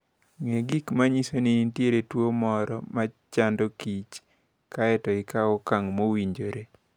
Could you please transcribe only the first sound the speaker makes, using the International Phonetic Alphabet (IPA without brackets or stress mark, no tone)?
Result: ŋ